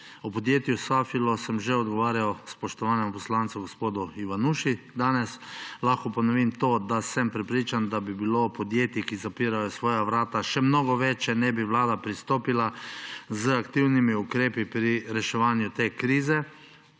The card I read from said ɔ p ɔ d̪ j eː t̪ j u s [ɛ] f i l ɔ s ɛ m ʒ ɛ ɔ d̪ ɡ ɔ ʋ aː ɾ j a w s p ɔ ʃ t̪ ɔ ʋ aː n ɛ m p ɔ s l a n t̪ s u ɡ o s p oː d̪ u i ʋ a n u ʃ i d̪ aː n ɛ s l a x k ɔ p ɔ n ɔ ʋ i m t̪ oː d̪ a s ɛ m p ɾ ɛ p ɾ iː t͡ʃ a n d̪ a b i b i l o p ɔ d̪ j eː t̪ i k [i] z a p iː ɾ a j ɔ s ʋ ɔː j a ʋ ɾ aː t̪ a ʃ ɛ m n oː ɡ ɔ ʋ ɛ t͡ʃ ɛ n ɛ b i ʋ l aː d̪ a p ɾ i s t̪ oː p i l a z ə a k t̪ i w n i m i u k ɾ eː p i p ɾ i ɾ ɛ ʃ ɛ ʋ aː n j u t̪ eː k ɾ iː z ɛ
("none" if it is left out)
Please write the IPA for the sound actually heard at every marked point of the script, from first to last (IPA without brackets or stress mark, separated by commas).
a, i